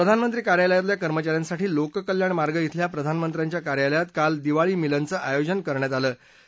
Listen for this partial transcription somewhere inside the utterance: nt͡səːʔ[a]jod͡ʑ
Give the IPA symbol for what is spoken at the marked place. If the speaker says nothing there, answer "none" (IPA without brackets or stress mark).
a